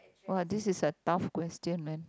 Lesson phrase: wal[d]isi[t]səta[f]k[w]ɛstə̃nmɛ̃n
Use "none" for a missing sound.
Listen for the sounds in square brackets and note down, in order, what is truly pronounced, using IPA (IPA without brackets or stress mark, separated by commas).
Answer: d, none, f, w